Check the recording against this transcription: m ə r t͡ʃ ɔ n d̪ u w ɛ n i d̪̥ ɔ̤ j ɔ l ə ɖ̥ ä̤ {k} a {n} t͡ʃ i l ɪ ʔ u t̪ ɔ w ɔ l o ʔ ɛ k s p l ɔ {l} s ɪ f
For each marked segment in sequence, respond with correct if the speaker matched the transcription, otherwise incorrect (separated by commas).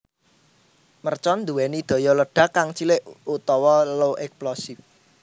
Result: correct, incorrect, incorrect